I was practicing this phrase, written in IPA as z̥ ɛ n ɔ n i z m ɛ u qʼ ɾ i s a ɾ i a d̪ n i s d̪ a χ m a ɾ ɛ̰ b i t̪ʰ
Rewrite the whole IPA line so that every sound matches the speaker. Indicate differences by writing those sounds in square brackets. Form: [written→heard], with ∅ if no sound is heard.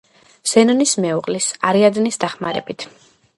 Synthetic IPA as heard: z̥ ɛ n ɔ n i [z→s] m ɛ u qʼ [ɾ→l] i s a ɾ i a d̪ n i s d̪ a χ m a ɾ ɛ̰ b i t̪ʰ